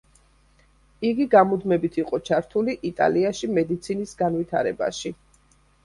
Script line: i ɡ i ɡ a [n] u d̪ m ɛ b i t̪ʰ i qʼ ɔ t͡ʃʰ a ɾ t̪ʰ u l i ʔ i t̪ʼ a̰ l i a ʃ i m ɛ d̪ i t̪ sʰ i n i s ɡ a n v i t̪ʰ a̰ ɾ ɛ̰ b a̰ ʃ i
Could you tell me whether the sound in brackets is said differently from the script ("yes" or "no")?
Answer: yes